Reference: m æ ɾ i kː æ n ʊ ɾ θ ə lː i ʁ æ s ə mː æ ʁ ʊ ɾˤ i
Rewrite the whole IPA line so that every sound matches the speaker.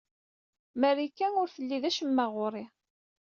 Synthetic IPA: m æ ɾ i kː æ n ʊ ɾ θ ə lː i ð æ ʃ ə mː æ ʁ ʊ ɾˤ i